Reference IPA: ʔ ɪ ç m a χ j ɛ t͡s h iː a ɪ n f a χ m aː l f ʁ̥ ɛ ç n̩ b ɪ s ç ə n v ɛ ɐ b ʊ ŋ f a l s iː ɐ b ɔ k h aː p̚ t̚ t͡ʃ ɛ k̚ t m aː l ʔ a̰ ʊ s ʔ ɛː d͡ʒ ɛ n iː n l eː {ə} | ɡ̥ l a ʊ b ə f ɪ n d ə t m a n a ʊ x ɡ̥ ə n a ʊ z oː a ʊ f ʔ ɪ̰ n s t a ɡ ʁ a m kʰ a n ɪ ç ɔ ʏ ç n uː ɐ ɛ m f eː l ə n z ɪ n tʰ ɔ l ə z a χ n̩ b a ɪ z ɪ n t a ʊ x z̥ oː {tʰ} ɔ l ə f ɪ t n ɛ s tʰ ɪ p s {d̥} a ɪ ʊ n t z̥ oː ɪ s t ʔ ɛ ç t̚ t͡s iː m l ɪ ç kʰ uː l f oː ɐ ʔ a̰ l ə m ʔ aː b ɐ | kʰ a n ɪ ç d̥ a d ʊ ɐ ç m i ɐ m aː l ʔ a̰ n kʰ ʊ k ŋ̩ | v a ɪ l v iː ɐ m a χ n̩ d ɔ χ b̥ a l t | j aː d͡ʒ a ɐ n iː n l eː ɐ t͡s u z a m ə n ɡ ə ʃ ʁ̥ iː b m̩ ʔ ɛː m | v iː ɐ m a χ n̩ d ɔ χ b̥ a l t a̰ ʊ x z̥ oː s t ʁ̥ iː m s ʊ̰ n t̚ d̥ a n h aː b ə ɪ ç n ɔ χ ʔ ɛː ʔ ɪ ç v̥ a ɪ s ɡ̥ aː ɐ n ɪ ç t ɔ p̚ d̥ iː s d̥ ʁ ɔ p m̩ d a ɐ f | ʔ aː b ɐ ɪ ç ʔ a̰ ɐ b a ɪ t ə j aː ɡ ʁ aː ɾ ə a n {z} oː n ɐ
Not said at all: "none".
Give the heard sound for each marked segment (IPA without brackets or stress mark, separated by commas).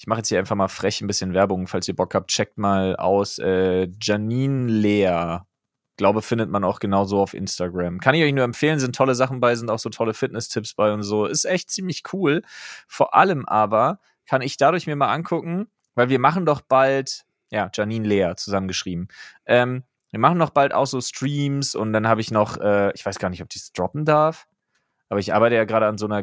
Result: ɐ, tʰ, b̥, z